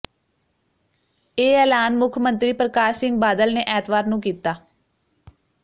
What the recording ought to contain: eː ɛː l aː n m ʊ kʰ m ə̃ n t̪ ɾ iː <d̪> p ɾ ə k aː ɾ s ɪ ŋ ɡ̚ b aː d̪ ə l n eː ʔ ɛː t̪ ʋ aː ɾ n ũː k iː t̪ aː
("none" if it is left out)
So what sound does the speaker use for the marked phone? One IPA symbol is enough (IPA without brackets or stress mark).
none